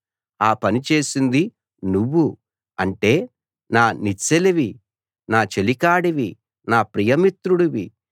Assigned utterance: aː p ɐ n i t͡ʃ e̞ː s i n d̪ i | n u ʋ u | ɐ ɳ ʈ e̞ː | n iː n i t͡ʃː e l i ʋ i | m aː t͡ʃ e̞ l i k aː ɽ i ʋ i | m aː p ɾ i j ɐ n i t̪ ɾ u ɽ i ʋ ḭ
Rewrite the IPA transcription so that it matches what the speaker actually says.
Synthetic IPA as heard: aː p ɐ n i t͡ʃ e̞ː s i n d̪ i | n u ʋː u | ɐ ɳ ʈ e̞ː | n aː n i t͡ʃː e l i ʋ i | n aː t͡ʃ e̞ l i k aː ɽ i ʋ i | n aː p ɾ i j ɐ m i t̪ ɾ u ɽ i ʋ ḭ